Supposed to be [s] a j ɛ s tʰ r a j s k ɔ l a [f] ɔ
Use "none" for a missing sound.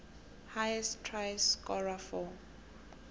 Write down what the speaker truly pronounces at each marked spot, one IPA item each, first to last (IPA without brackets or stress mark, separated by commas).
h, f